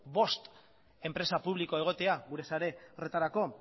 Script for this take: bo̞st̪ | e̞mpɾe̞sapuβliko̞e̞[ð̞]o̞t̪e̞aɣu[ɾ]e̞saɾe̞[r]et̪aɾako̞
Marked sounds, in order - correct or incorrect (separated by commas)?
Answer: incorrect, correct, correct